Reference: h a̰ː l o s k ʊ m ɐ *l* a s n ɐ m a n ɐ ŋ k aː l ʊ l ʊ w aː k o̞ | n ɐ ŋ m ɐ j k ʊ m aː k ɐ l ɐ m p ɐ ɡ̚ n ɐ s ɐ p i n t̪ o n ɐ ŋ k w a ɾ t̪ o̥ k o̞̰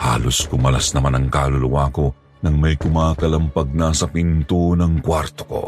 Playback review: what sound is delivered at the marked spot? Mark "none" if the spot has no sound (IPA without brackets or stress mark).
l